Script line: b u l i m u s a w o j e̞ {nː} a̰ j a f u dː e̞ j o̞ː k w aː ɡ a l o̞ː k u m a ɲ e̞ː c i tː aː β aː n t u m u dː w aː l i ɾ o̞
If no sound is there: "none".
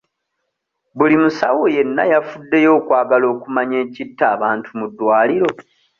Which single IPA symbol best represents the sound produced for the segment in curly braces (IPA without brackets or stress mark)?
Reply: nː